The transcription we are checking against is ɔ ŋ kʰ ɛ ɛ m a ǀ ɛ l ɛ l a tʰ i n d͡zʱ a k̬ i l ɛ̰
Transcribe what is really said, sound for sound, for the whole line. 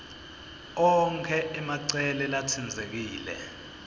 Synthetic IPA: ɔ ŋ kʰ ɛ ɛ m a ǀ ɛ l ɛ l a tʰ i n d͡zʱ e k̬ iː l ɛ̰